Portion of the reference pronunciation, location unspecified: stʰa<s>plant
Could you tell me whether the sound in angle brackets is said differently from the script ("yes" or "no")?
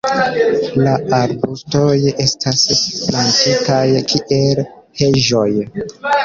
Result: no